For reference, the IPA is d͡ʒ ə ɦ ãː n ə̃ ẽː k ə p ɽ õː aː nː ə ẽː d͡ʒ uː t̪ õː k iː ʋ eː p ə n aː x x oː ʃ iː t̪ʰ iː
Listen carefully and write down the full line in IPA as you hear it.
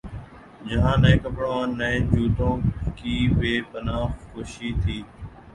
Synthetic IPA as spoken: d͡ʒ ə ɦ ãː n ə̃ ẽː k ə p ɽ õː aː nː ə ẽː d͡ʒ uː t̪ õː k iː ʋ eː p ə n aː x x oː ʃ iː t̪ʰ iː